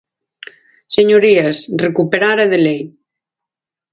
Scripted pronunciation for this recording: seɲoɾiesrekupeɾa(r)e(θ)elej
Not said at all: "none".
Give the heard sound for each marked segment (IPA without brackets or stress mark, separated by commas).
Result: ɾ, ð